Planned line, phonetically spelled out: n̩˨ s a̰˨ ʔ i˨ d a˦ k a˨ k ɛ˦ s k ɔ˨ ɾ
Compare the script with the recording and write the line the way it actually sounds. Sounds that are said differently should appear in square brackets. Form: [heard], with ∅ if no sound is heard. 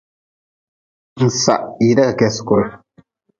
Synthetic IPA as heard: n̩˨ s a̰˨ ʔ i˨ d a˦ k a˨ k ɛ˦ s k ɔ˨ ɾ

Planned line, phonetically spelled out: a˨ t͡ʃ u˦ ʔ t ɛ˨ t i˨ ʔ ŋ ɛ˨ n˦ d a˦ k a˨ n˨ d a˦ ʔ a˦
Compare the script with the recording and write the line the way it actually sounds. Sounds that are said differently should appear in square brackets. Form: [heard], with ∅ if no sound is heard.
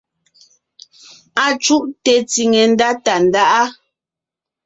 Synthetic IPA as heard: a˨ t͡ʃ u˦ ʔ t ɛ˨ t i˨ [∅] ŋ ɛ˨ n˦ d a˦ [t] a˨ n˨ d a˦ ʔ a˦

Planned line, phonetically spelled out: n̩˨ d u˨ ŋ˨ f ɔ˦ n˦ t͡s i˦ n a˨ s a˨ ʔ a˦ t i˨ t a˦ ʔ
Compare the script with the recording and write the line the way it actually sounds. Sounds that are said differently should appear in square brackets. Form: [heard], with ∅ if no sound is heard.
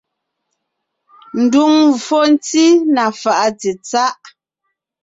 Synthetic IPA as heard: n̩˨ d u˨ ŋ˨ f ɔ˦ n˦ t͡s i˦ n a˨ [f] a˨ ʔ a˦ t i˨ [t͡s] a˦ ʔ

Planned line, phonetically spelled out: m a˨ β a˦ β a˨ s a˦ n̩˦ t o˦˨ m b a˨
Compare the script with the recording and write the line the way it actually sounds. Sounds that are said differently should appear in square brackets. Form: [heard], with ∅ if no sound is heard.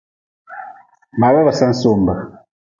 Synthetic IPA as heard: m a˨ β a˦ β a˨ s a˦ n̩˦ [s] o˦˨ m b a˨

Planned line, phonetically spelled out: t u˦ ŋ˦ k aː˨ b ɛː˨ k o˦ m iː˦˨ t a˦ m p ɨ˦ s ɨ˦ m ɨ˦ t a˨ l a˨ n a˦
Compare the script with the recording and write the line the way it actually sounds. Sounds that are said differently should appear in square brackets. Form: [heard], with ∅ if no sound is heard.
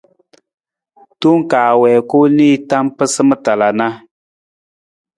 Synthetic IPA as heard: t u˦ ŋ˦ k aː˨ [w] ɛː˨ k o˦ [n] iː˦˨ t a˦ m p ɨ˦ s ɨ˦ m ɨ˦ t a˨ l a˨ n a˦

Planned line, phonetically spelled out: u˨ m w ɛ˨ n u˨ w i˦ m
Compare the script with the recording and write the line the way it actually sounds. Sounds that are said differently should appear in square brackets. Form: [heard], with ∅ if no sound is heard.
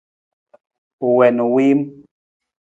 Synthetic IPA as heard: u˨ [∅] w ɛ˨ n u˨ w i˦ m

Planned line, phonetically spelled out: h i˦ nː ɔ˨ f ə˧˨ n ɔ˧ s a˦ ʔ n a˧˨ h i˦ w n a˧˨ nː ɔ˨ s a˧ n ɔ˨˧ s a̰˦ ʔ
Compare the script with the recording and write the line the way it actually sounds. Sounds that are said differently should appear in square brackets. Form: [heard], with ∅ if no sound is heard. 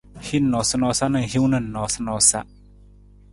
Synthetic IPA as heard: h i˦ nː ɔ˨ [s] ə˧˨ n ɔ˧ s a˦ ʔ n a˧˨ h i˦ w n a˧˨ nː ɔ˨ s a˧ n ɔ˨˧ s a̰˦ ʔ

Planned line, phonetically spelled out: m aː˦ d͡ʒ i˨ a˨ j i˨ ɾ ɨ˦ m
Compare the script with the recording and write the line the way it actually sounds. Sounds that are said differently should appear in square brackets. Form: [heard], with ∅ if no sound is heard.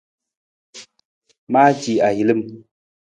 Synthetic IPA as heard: m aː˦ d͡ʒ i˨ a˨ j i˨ [l] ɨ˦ m

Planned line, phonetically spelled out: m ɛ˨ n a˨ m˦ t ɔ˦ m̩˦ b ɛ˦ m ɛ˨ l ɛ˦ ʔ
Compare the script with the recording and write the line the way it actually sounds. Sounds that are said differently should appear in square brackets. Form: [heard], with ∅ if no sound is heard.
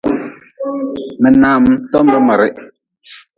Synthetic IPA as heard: m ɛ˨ n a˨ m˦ t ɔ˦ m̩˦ b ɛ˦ m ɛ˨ [ɾ] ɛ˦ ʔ

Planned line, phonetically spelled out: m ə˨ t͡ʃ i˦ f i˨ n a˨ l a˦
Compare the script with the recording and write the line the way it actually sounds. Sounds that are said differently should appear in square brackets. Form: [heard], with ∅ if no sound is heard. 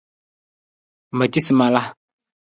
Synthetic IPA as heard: m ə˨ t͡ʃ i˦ [s] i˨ [m] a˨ l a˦

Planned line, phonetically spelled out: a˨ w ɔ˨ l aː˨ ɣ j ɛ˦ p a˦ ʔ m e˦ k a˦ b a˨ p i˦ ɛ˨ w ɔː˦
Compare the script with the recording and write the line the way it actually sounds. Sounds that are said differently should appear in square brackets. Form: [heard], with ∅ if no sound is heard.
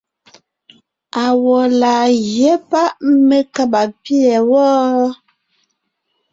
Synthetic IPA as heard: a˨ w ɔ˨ l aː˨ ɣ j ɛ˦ p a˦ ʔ m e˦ k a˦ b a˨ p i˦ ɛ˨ w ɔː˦

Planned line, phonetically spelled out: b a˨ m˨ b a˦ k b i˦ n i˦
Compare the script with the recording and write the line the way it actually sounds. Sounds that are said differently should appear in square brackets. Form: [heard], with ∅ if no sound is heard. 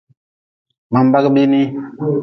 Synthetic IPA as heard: [m] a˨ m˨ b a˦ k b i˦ n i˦

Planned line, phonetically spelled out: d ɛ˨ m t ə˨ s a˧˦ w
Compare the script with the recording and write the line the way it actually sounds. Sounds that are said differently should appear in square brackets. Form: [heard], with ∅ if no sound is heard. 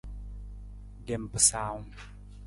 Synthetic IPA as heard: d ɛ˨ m [p] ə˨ s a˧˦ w

